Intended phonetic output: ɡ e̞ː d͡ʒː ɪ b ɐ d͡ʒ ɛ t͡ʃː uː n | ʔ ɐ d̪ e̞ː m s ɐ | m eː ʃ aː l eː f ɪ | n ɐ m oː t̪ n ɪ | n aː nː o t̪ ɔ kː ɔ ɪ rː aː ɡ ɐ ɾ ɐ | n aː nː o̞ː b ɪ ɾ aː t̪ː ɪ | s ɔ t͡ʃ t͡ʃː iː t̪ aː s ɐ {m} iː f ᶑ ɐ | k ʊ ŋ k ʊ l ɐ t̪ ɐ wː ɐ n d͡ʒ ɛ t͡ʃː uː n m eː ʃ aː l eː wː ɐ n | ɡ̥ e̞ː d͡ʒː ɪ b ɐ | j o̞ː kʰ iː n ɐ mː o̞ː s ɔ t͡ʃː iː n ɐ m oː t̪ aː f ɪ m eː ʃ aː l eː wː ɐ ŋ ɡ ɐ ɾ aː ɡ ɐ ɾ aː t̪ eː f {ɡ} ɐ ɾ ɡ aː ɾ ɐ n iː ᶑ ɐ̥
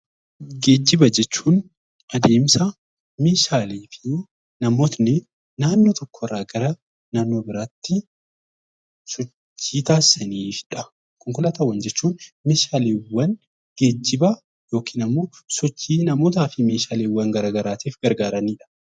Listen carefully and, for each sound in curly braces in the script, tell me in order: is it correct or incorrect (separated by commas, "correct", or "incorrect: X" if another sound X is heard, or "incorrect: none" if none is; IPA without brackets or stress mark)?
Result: incorrect: n, correct